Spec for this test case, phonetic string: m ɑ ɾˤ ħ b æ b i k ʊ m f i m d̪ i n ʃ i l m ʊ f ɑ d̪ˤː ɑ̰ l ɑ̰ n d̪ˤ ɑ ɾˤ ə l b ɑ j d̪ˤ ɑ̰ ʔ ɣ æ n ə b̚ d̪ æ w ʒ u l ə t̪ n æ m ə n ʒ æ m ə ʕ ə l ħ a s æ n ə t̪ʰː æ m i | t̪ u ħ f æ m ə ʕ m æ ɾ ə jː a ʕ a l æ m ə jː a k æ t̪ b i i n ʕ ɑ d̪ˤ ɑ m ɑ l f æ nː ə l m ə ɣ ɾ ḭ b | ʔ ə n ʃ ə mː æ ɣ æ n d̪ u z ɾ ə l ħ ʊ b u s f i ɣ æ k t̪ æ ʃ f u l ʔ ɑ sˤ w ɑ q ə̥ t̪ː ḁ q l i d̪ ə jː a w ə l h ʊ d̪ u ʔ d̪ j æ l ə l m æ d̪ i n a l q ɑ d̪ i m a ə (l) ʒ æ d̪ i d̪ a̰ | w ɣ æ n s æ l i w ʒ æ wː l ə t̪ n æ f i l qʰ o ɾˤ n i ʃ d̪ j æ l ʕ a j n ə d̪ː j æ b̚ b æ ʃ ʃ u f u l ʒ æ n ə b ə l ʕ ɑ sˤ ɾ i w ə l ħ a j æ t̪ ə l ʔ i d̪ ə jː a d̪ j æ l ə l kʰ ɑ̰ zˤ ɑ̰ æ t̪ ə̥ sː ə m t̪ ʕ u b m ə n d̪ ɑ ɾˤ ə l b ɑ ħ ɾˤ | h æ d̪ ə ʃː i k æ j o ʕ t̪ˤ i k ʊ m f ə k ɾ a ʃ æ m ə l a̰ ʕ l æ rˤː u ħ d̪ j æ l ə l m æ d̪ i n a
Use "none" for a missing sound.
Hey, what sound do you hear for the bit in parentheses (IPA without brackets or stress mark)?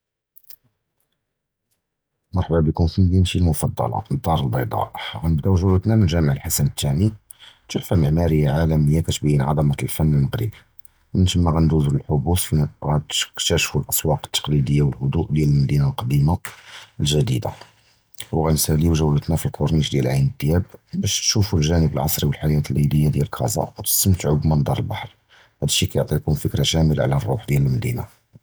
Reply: l